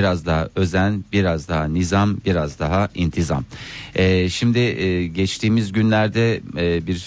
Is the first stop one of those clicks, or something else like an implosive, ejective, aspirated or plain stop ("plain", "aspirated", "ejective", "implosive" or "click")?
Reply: plain